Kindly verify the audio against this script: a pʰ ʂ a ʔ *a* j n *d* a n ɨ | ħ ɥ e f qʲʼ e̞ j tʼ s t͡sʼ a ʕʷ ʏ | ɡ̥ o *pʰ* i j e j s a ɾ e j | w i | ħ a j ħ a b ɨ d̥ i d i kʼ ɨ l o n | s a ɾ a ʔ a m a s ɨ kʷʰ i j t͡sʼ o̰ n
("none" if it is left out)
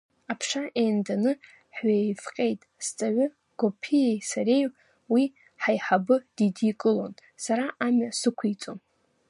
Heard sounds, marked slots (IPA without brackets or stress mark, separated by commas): e, d, pʰ